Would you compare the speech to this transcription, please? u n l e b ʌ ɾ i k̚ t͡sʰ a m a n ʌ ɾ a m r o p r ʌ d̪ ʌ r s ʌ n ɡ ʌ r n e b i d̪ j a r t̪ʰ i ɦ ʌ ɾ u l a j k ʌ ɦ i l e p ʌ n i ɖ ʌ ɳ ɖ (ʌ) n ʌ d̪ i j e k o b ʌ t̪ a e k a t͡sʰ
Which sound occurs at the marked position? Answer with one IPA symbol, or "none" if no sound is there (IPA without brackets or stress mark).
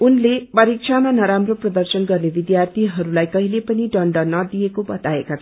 ʌ